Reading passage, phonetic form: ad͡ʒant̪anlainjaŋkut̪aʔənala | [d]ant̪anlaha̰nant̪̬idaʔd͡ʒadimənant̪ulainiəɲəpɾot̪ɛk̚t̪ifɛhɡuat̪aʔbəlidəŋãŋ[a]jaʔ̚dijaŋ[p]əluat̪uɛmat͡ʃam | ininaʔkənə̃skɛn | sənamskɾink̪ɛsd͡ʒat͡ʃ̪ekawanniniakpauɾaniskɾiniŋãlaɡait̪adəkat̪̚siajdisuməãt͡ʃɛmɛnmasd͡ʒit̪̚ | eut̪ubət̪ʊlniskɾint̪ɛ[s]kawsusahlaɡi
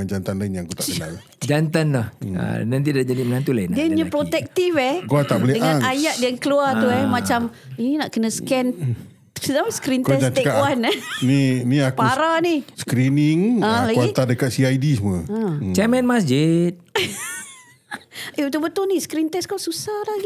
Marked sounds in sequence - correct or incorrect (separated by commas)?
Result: incorrect, correct, incorrect, correct